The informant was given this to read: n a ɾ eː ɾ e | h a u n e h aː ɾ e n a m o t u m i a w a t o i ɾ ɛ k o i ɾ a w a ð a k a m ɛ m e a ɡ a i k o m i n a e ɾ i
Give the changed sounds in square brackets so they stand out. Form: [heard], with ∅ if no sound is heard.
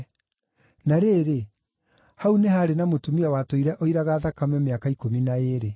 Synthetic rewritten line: n a ɾ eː ɾ e | h a u n e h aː ɾ e n a m o t u m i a w a t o i ɾ ɛ [ʔ] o i ɾ a [ɣ] a ð a k a m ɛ m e a [k] a i k o m i n a e ɾ [e]